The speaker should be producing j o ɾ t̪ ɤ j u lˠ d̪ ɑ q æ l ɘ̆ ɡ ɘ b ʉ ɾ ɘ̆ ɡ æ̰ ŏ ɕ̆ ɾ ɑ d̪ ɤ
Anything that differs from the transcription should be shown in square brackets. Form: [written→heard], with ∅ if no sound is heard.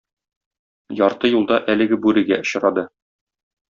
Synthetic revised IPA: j [o→ɒ] ɾ t̪ ɤ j u lˠ d̪ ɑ [q→ʔ] æ l ɘ̆ ɡ ɘ b ʉ ɾ ɘ̆ ɡ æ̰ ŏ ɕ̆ ɾ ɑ d̪ ɤ